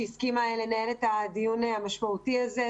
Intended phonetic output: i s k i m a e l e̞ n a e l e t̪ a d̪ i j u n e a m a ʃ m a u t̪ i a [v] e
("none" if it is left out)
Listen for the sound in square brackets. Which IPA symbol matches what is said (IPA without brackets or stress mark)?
z